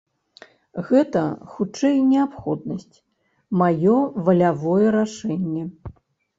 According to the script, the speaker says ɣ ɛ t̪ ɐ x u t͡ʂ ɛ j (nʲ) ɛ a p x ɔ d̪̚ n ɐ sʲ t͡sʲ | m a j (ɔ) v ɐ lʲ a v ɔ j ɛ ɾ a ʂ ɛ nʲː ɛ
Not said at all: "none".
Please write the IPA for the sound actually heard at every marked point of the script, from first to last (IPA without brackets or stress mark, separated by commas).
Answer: nʲ, ɔ